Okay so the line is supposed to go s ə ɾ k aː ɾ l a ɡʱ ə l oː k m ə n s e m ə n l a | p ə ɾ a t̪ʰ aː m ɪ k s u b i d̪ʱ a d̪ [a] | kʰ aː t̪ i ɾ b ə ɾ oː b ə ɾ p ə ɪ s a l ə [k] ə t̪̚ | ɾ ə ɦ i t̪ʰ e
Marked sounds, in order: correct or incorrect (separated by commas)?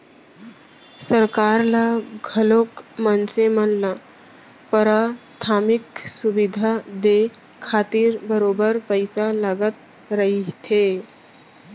incorrect, incorrect